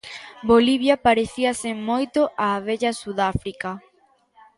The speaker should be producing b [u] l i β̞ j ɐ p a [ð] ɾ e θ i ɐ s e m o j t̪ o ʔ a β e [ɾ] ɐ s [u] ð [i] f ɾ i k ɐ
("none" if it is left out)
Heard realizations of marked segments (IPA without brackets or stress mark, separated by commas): o, none, ʎ, u, a